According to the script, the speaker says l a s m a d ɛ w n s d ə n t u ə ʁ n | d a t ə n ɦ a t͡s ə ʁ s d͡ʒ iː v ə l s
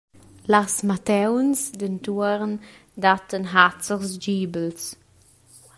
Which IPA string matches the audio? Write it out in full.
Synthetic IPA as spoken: l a s m a t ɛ w n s d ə n t u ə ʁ n | d a t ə n ɦ a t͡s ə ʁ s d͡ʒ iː b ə l s